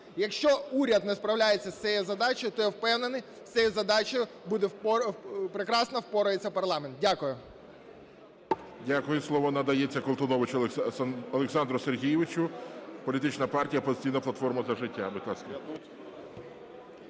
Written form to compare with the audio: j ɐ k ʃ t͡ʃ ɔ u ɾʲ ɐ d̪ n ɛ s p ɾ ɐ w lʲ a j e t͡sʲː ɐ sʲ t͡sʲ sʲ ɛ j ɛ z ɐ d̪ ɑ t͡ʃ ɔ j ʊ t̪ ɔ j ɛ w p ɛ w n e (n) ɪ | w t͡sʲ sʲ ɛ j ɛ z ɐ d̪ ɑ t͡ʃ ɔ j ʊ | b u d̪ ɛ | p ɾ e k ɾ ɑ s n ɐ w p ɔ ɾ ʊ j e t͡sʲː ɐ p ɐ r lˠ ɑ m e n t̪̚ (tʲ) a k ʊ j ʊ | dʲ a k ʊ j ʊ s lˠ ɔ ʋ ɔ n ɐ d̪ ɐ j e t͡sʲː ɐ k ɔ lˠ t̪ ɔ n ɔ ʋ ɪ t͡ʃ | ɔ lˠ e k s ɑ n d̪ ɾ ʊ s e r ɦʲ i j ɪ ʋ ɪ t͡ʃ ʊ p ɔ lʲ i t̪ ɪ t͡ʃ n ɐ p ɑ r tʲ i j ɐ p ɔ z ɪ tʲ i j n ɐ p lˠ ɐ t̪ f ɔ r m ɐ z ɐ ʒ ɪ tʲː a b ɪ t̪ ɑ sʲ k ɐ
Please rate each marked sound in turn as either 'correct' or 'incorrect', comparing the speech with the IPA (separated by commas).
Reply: correct, incorrect